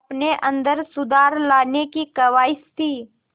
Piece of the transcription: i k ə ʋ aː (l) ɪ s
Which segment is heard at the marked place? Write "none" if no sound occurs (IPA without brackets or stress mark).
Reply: none